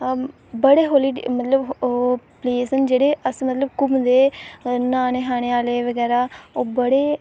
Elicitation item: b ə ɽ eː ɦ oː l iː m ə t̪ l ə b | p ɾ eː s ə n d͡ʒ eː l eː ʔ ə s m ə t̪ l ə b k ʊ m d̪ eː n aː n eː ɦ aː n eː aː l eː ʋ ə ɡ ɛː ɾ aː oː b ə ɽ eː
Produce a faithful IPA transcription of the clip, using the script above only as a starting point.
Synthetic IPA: b ə ɽ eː ɦ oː l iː m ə t̪ l ə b | p l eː s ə n d͡ʒ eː ɽ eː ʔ ə s m ə t̪ l ə b k ʊ m d̪ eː n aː n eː ɦ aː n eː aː l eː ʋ ə ɡ ɛː ɾ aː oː b ə ɽ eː